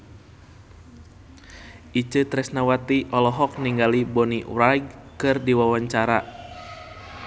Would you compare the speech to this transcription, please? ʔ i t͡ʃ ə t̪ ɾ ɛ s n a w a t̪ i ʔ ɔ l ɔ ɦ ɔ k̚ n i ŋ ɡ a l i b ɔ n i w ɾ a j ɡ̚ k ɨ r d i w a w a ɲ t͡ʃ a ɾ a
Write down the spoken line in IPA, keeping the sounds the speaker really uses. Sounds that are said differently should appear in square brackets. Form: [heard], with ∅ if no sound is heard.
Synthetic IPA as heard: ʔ i t͡ʃ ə t̪ ɾ ɛ s n a w a t̪ i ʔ ɔ l ɔ ɦ ɔ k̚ n i ŋ ɡ a l i b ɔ n i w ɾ a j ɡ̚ k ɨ r d i w a w a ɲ t͡ʃ a ɾ a